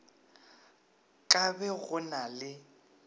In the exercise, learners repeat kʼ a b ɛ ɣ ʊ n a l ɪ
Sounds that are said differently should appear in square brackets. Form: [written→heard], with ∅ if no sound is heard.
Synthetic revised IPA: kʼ a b ɛ ɣ ʊ n a l ɪ